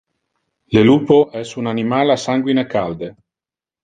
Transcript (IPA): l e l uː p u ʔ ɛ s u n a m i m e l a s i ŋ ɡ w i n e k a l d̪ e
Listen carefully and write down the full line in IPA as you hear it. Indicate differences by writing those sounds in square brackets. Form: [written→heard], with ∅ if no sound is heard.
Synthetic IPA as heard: l e l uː p [u→o] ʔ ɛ s u n a [m→n] i m [e→a] l a s [i→a] ŋ ɡ w i n e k a l d̪ e